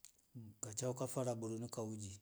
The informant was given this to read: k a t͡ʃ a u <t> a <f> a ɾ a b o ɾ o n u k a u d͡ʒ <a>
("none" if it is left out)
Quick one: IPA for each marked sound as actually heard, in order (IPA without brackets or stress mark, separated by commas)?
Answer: k, f, i